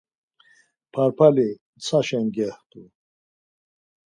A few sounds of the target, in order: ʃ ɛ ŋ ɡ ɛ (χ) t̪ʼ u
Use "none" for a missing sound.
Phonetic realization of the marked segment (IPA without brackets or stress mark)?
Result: h